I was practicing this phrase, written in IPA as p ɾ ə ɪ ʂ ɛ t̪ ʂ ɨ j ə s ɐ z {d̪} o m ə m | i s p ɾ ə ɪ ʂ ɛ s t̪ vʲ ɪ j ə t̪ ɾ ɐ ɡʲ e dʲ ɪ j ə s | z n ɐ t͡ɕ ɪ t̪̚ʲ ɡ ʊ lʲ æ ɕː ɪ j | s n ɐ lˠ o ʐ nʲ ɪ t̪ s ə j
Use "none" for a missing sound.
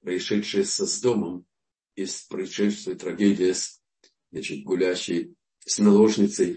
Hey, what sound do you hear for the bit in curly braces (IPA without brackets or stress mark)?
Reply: d̪